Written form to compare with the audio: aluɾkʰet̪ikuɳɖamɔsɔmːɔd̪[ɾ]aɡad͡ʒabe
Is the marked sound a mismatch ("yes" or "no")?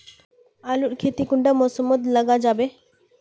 yes